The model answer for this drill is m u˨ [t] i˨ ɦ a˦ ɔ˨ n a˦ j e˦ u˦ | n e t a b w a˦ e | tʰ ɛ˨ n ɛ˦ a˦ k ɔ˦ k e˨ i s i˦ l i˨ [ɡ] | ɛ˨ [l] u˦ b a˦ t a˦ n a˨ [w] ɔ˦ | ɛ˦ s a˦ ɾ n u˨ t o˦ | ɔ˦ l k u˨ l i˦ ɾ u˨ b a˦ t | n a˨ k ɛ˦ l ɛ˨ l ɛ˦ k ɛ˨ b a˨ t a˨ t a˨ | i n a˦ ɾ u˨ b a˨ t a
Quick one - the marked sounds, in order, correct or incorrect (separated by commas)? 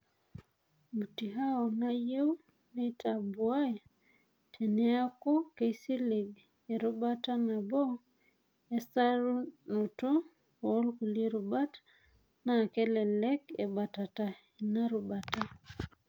correct, correct, incorrect, incorrect